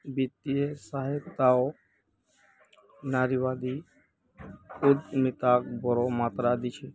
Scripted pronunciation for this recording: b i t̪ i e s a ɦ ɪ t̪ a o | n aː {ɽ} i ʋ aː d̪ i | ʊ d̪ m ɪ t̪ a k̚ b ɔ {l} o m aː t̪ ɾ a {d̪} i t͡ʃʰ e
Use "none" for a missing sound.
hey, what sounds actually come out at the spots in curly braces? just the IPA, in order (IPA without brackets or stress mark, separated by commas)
ɾ, ɾ, d̪